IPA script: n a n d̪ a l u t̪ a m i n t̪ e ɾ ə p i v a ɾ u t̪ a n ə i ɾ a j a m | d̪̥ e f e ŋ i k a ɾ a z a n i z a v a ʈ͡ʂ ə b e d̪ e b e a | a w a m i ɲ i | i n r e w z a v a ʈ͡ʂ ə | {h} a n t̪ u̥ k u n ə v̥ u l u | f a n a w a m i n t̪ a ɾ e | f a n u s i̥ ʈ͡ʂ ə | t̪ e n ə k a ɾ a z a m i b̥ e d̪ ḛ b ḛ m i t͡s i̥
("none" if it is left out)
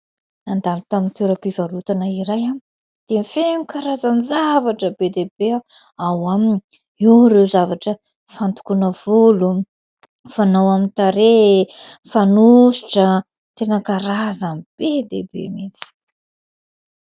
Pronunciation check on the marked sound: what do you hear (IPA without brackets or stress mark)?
f